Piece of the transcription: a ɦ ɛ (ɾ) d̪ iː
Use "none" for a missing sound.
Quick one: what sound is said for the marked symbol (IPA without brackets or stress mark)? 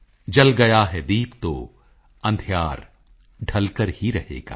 none